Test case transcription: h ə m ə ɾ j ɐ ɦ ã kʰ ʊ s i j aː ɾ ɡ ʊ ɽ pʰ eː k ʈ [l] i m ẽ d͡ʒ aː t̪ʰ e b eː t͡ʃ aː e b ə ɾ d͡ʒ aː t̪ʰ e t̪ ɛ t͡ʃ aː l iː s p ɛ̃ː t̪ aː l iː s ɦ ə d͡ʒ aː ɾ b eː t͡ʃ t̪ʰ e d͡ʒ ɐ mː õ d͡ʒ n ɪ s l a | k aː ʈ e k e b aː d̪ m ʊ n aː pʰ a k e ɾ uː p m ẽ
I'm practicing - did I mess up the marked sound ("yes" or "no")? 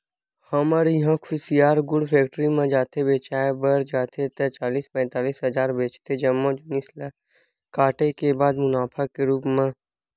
yes